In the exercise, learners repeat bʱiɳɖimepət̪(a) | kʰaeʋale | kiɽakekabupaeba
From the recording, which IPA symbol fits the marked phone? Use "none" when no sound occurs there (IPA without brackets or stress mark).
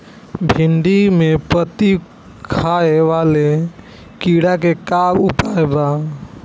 i